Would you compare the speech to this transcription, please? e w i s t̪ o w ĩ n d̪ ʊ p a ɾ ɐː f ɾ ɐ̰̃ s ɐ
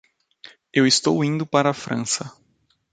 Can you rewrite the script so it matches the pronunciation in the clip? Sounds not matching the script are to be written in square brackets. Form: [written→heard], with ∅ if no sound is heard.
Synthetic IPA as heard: e w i s t̪ o w ĩ n d̪ ʊ p a ɾ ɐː f ɾ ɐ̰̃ s ɐ

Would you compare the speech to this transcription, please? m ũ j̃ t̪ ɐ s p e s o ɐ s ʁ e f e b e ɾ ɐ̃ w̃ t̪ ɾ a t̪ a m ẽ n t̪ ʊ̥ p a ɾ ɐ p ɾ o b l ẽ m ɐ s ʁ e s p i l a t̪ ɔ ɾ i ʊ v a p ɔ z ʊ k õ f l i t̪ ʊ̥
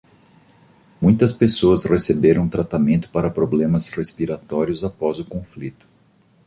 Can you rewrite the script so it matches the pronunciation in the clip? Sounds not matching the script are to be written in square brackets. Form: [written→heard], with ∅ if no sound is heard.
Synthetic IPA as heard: m ũ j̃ t̪ ɐ s p e s o ɐ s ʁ e [f→s] e b e ɾ ɐ̃ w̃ t̪ ɾ a t̪ a m ẽ n t̪ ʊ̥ p a ɾ ɐ p ɾ o b l ẽ m ɐ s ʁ e s p i [l→ɾ] a t̪ ɔ ɾ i ʊ [v→z] a p ɔ z ʊ k õ f l i t̪ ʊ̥

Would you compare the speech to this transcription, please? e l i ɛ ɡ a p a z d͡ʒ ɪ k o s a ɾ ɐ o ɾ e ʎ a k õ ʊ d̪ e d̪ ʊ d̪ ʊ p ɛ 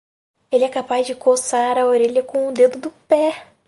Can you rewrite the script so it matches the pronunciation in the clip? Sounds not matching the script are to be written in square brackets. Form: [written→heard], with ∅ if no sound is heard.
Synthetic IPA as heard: e l [i→ɪ] ɛ [ɡ→k] a p a z d͡ʒ ɪ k o s a ɾ ɐ o ɾ e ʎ [a→ɐ] k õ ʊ d̪ e d̪ ʊ d̪ ʊ p ɛ

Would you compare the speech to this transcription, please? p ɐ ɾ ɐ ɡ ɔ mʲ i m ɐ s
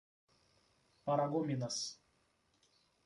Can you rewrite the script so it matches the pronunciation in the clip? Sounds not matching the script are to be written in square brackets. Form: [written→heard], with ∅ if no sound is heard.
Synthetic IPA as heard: p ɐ ɾ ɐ ɡ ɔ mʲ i [m→n] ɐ s

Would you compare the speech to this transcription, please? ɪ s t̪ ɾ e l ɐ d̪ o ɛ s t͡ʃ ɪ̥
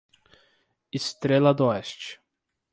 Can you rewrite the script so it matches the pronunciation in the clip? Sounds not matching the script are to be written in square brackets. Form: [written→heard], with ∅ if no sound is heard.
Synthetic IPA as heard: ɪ s t̪ ɾ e l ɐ d̪ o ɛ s t͡ʃ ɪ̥

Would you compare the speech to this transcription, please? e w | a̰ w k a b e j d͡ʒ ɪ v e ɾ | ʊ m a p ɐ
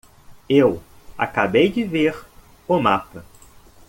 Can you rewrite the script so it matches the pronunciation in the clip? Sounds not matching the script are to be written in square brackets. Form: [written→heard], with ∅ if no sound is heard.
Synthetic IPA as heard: e w | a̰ [w→∅] k a b e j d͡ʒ ɪ v e ɾ | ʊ m a p ɐ

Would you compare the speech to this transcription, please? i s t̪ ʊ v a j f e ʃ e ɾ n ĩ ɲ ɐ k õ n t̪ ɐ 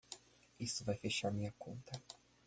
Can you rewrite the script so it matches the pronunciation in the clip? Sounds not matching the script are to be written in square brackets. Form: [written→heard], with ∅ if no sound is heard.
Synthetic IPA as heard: i s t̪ ʊ v a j f e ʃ [e→a] ɾ [n→m] ĩ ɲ ɐ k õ n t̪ ɐ

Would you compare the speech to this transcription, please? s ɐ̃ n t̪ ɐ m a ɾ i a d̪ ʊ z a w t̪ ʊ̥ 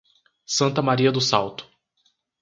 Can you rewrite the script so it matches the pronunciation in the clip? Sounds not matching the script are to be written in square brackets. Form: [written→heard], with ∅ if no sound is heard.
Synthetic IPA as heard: s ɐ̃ n t̪ ɐ m a ɾ i [a→ɐ] d̪ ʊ [z→s] a w t̪ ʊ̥

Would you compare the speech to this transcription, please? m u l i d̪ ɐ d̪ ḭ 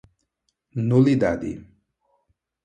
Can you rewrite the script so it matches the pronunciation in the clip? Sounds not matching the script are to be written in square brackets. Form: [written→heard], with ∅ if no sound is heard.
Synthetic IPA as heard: [m→n] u l i d̪ [ɐ→a] d̪ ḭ

